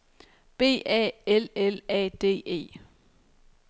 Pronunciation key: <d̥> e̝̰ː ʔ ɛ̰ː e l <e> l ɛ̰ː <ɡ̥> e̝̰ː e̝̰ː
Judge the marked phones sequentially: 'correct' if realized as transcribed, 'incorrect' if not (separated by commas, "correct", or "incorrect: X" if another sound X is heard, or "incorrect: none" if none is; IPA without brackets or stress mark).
incorrect: b̥, correct, incorrect: d̥